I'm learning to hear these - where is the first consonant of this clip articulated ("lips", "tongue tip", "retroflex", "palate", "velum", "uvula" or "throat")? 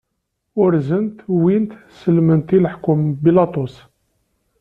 tongue tip